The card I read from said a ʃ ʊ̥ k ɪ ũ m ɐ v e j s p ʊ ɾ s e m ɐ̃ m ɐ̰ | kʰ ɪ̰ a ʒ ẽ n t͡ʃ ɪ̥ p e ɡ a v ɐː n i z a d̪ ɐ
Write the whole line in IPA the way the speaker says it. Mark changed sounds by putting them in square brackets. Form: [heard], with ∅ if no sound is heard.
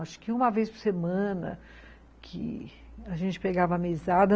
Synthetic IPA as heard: a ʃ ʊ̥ k ɪ ũ m ɐ v e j s p ʊ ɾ s e m ɐ̃ [n] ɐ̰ | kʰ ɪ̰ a ʒ ẽ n t͡ʃ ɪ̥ p e ɡ a v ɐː [m] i z a d̪ ɐ